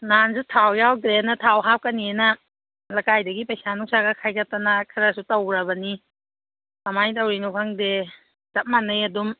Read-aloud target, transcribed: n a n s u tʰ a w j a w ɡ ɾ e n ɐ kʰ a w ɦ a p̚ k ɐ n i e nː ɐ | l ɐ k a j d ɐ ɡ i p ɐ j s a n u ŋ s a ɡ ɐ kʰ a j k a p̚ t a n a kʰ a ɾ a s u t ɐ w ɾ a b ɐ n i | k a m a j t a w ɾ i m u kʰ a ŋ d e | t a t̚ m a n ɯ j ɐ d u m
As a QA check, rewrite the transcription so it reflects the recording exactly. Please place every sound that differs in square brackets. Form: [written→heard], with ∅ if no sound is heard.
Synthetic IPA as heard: n a n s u tʰ a w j a w ɡ ɾ e n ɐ [kʰ→tʰ] a w ɦ a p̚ k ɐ n i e [nː→n] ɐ | l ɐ k a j d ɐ ɡ i p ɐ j s a n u ŋ s a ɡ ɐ kʰ a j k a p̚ t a n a kʰ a ɾ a s u t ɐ w ɾ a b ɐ n i | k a m a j t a w ɾ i [m→n] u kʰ a ŋ d e | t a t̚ m a n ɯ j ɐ d u m